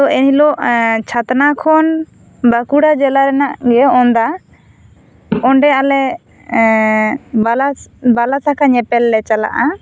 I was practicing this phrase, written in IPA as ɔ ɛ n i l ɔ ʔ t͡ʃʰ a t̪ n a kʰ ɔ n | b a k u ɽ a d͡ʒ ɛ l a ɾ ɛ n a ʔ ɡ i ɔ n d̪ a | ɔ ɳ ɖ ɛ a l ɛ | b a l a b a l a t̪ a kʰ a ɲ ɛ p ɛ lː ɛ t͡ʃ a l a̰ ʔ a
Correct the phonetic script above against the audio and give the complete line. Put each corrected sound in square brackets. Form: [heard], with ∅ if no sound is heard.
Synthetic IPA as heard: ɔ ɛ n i l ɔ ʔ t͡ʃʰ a t̪ n a kʰ ɔ n | b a k u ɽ a d͡ʒ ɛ l a ɾ ɛ n a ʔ ɡ [ɛ] ɔ n d̪ a | ɔ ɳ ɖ ɛ a l ɛ | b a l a b a l a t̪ a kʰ a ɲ ɛ p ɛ lː ɛ t͡ʃ a l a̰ ʔ a

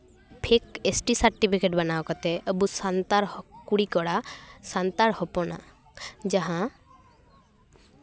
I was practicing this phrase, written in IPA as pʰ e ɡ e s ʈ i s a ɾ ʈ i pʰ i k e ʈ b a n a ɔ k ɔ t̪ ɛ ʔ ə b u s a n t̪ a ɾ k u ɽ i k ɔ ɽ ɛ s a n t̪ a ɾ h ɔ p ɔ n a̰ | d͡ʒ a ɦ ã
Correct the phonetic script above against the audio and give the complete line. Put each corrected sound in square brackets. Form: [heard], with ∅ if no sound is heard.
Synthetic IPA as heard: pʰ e [k] e s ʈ i s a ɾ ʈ i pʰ i k e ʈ b a n a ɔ k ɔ t̪ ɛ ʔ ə b u s a n t̪ a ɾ k u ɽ i k ɔ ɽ [a] s a n t̪ a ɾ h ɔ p ɔ n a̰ | d͡ʒ a ɦ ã

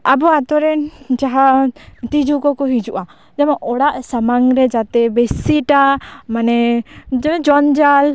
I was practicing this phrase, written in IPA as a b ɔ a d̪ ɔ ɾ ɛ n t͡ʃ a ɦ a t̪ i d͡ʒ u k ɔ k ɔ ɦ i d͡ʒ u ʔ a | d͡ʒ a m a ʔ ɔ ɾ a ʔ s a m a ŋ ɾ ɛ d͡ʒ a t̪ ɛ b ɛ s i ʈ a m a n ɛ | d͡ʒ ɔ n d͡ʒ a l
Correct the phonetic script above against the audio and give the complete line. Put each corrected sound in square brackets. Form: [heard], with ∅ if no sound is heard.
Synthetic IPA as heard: a b ɔ a [t̪] ɔ ɾ ɛ n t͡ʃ a ɦ a t̪ i d͡ʒ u k ɔ k ɔ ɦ i d͡ʒ u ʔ a | d͡ʒ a m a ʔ ɔ [ɽ] a ʔ s a m a ŋ ɾ ɛ d͡ʒ a t̪ ɛ b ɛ s i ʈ a m a n ɛ | d͡ʒ ɔ n d͡ʒ a l

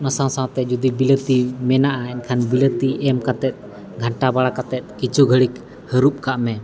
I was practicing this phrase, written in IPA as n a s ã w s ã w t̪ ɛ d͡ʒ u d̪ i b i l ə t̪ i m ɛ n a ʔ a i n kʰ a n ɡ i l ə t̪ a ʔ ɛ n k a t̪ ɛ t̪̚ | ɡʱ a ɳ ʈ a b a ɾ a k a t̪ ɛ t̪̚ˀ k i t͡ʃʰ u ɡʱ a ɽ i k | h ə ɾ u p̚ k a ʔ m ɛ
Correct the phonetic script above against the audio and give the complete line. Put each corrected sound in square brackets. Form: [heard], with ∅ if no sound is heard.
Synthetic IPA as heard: n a s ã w s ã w t̪ ɛ d͡ʒ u d̪ i b i l ə t̪ i m ɛ n a ʔ a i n kʰ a n [b] i l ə t̪ [i] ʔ ɛ [m] k a t̪ ɛ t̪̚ | ɡʱ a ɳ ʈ a b a [ɽ] a k a t̪ ɛ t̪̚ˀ k i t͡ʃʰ u ɡʱ [ə] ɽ i k | h ə ɾ u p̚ k a ʔ m ɛ

